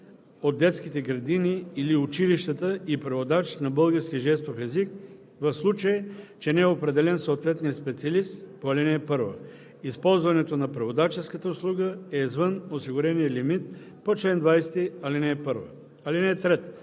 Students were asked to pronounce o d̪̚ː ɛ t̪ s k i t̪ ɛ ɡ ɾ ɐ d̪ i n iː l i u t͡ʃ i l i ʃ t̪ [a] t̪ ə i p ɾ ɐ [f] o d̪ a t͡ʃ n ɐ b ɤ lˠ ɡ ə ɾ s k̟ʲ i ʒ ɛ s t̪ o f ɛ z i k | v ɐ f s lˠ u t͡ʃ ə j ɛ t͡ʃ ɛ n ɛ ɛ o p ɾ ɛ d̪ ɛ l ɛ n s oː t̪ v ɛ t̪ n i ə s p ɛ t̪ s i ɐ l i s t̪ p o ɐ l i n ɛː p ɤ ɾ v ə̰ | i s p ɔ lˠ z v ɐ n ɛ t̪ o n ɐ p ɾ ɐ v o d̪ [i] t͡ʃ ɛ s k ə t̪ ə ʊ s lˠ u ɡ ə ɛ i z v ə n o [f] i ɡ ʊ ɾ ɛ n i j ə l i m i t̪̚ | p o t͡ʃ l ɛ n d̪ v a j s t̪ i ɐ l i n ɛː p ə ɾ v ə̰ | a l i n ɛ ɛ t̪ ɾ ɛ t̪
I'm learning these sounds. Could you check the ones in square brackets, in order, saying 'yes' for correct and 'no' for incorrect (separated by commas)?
no, no, no, no